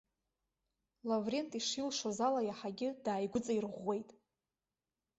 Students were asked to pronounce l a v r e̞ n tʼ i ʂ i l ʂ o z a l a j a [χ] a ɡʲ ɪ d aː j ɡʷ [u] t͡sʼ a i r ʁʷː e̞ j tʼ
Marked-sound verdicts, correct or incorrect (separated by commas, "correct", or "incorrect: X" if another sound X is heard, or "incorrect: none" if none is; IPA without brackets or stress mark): incorrect: ħ, incorrect: ʊ